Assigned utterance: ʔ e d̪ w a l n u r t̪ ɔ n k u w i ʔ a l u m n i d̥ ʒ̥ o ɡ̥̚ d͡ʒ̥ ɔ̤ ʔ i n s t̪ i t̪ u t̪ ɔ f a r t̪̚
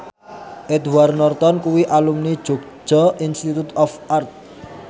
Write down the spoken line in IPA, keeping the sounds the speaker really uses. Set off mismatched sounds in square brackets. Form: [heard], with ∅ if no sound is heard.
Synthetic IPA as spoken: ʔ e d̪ w a [r] n [ɔ] r t̪ ɔ n k u w i ʔ a l u m n i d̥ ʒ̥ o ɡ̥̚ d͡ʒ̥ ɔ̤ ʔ i n s t̪ i t̪ u t̪ ɔ f a r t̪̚